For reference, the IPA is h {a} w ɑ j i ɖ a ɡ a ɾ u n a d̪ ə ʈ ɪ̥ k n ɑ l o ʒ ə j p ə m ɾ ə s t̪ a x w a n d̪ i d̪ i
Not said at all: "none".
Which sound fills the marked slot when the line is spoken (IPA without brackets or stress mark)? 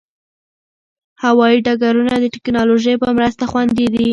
a